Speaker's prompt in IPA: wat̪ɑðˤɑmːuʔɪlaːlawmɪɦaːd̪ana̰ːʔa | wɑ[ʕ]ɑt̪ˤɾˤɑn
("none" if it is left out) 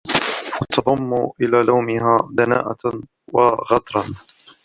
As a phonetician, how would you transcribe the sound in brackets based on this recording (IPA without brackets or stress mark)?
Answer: ɣ